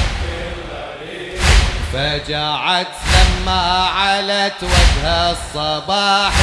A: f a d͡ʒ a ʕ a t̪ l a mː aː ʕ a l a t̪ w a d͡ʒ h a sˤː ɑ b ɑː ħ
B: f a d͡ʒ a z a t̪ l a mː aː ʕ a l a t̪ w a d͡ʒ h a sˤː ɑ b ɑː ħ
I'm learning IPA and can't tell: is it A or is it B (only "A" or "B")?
A